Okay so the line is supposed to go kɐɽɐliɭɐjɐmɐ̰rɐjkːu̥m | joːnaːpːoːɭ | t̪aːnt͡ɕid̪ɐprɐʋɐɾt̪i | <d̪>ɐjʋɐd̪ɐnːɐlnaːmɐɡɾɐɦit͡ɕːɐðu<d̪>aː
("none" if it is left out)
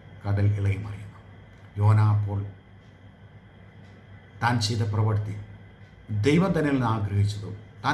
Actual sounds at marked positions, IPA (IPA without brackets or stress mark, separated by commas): d̪, t̪